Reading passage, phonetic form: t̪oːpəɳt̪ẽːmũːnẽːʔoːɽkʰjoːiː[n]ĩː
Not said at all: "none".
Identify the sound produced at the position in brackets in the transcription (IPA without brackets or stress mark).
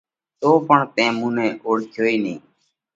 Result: n